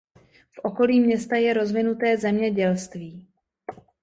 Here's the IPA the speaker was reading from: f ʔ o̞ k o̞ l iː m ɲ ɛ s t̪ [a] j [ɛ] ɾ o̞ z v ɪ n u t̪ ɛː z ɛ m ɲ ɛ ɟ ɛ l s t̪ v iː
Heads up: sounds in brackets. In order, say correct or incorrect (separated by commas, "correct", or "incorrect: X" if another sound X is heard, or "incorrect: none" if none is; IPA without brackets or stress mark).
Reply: correct, correct